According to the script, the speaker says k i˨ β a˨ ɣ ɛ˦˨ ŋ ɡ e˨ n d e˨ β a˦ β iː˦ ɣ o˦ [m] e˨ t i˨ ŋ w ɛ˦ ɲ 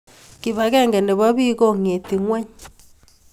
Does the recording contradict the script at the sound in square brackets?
yes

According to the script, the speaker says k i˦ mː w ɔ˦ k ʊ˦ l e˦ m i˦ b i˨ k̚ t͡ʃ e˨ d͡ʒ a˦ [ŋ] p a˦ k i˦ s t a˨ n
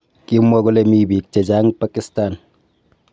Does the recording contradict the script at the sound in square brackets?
no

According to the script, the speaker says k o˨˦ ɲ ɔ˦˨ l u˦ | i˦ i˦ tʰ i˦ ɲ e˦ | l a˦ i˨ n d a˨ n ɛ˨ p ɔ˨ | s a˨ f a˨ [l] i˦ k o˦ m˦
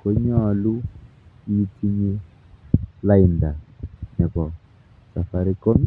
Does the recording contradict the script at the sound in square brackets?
yes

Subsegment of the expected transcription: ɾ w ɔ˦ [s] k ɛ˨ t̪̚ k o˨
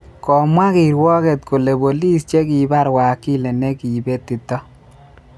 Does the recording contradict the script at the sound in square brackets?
yes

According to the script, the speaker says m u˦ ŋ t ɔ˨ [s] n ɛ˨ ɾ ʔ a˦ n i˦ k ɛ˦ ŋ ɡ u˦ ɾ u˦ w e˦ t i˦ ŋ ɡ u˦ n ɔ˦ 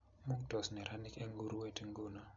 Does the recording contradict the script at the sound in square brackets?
no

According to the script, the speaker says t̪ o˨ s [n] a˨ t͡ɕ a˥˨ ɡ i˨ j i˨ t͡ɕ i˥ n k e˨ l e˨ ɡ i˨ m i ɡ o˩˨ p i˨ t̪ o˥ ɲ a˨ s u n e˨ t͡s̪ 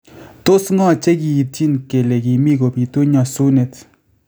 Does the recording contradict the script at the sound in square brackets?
yes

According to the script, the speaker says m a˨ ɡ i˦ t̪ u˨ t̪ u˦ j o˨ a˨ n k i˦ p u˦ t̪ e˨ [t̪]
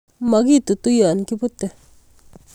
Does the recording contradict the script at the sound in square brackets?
yes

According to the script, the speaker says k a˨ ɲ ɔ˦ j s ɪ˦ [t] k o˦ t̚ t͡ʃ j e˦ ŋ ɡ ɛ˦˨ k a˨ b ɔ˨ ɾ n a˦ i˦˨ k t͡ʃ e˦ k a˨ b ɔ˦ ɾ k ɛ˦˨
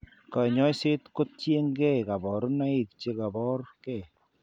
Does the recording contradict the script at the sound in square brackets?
no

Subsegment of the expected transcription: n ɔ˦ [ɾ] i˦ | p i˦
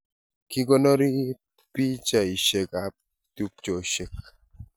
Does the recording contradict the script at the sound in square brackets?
no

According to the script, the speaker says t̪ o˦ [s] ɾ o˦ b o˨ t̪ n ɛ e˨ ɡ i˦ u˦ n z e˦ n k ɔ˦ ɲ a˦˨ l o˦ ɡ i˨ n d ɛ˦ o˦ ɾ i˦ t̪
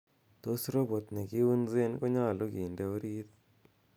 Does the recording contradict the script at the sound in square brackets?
no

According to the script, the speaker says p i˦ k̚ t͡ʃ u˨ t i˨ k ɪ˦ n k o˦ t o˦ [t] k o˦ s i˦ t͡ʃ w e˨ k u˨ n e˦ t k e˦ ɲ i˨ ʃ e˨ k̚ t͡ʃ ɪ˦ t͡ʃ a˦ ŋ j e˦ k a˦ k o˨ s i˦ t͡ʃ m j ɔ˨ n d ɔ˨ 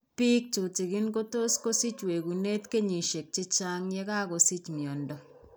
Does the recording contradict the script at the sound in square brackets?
yes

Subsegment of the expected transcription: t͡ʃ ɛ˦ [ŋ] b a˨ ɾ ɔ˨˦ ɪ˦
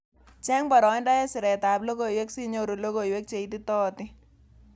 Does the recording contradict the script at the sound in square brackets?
no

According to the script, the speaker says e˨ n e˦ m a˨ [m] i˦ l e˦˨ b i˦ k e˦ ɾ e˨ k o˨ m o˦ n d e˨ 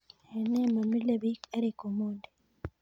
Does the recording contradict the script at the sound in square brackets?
no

